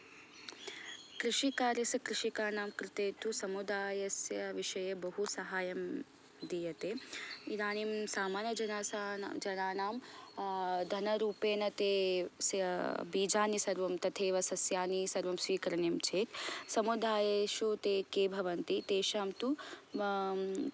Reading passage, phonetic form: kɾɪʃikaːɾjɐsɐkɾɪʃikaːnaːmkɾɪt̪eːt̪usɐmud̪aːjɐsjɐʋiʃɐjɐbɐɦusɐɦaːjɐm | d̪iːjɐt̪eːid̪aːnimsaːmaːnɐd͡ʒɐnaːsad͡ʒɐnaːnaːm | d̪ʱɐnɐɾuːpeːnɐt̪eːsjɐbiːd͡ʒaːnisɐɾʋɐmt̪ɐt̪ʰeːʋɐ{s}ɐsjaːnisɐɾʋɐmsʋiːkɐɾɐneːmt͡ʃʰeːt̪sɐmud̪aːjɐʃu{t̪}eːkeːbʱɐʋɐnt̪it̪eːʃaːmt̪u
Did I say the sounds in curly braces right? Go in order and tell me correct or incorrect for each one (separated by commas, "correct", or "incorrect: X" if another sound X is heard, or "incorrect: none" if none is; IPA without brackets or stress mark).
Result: correct, correct